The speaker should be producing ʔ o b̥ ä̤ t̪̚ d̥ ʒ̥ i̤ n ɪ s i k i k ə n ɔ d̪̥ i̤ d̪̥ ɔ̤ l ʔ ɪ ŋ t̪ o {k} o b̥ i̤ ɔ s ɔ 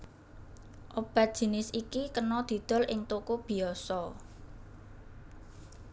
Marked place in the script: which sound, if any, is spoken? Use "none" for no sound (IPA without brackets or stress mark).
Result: k